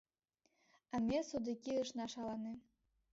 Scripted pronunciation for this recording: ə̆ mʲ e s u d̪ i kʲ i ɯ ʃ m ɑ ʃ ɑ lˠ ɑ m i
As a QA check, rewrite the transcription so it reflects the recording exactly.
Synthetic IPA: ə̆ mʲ e s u d̪ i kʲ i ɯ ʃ n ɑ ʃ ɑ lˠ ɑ n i